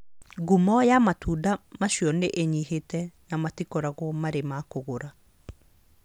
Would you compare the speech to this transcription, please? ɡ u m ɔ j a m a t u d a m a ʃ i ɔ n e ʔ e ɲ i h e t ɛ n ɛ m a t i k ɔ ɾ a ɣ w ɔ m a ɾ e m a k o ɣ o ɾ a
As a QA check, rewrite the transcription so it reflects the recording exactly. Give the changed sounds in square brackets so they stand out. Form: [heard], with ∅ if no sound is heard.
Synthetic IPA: ɡ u m ɔ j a m a t u d a m a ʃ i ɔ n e ʔ e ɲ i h e t ɛ n [a] m a t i k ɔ ɾ a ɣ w ɔ m a ɾ e m a k o ɣ o ɾ a